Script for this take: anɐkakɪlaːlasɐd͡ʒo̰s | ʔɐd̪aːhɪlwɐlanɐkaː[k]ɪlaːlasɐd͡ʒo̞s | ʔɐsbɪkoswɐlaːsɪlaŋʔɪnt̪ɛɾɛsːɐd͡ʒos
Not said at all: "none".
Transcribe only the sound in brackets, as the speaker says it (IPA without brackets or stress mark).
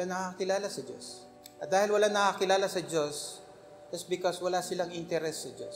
k